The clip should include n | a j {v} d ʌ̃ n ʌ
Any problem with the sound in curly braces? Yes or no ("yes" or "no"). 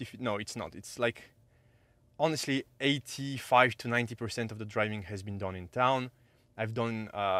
no